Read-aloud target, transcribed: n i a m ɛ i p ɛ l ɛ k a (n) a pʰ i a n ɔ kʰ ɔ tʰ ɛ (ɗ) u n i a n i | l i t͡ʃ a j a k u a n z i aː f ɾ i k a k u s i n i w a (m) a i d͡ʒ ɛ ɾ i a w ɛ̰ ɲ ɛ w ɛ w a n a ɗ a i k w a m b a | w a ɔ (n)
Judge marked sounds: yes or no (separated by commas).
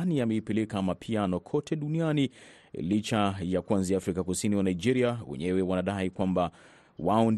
no, yes, no, yes